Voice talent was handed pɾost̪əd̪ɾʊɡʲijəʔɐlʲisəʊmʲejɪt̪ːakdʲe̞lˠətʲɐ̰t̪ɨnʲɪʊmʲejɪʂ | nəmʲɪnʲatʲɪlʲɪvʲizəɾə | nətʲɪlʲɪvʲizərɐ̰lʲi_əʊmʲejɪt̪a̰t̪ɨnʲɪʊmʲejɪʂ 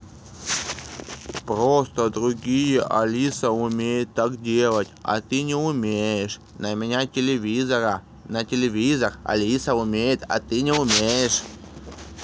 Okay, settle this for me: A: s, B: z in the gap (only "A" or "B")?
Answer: A